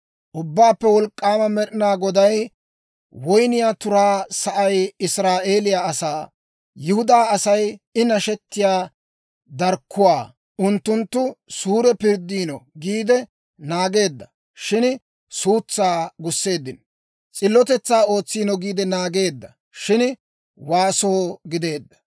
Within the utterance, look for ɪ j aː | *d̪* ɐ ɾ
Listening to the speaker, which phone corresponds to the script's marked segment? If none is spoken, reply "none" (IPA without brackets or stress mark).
d̪